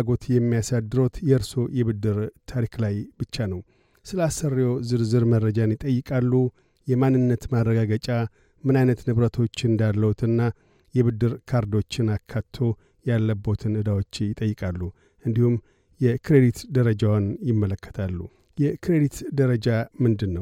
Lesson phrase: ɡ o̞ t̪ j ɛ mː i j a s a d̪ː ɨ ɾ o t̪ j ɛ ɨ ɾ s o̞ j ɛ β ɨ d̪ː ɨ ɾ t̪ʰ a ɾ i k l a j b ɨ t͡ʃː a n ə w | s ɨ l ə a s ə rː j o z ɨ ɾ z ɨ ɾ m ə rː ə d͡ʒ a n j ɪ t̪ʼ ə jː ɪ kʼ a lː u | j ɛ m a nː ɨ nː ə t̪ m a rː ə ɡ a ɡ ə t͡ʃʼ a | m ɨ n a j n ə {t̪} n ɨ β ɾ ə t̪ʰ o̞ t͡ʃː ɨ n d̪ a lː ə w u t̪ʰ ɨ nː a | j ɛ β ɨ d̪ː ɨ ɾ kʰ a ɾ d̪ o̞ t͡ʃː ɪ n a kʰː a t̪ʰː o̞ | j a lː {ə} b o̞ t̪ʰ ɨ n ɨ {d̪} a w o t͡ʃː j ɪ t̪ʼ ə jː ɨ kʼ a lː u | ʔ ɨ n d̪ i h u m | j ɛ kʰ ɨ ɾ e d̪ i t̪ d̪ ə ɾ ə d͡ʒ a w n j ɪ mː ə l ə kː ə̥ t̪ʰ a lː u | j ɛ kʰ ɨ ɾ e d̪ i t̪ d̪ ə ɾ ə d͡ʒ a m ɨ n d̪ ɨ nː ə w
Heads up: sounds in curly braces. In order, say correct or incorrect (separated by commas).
correct, correct, correct